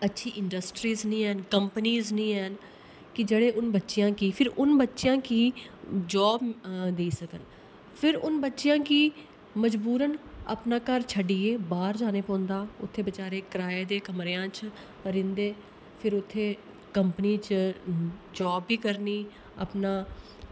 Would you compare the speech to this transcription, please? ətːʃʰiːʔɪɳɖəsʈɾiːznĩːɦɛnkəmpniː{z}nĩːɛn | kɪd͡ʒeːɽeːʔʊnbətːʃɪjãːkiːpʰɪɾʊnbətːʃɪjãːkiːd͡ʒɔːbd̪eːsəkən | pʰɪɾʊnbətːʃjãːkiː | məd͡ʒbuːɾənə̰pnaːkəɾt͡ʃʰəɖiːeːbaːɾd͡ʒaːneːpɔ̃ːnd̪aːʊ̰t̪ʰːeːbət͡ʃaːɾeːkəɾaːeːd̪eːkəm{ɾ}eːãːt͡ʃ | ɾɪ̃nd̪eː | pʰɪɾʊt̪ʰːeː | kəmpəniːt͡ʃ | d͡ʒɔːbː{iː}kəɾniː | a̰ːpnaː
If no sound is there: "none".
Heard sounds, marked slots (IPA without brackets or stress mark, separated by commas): z, ɾ, iː